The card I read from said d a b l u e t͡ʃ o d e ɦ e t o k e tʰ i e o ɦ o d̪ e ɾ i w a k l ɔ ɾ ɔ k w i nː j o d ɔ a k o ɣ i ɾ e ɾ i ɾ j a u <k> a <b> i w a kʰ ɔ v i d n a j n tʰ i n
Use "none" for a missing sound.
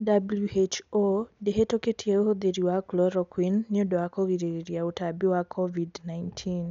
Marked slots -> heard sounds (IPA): t, b

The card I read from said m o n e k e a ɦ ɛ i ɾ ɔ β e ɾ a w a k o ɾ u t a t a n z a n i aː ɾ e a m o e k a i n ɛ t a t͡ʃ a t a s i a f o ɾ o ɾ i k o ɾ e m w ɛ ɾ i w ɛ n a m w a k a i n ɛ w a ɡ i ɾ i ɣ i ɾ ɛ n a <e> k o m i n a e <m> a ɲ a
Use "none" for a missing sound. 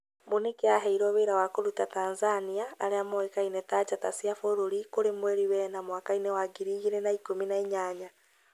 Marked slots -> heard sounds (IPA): i, ɲ

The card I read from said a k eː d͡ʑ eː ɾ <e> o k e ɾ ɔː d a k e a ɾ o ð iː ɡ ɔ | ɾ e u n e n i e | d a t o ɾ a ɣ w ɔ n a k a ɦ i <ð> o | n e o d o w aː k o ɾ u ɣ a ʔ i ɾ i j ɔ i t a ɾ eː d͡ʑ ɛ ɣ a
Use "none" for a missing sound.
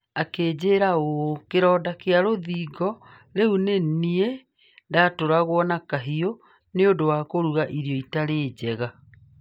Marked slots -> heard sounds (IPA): a, none

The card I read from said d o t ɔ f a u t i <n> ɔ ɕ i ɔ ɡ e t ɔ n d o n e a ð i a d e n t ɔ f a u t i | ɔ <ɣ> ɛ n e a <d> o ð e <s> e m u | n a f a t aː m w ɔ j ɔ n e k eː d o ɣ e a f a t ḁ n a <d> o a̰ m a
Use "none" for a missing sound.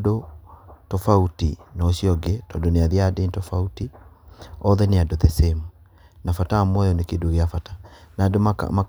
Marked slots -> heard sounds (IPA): n, ð, d, s, d

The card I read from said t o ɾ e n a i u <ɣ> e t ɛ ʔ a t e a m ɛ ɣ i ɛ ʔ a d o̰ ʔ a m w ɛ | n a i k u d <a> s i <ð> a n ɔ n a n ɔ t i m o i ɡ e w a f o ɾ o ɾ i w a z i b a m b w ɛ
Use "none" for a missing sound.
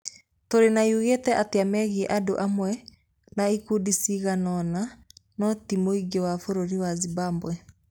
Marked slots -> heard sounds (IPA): ɣ, i, ɣ

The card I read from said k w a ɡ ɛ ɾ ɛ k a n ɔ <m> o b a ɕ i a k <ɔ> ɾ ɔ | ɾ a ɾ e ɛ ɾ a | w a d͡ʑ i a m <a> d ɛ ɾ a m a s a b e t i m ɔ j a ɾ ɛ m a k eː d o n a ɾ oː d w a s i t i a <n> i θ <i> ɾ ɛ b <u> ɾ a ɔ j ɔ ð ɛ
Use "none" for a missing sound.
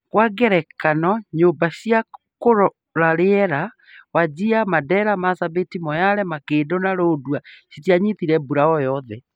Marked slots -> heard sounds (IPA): ɲ, o, a, ɲ, i, u

